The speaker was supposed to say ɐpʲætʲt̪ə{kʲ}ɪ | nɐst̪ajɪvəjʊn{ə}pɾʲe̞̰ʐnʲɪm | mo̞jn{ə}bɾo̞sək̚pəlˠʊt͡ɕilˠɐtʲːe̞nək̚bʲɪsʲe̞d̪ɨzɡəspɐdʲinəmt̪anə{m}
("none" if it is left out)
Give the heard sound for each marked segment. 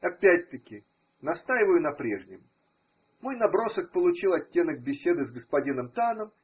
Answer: kʲ, ɐ, ɐ, m

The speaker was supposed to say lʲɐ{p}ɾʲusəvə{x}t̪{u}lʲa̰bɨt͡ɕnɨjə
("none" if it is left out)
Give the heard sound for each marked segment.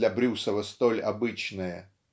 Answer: b, s, o

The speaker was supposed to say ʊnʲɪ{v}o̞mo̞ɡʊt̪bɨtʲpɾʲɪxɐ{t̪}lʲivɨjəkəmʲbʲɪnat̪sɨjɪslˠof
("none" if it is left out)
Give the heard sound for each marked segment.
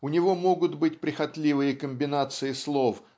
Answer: v, t̪

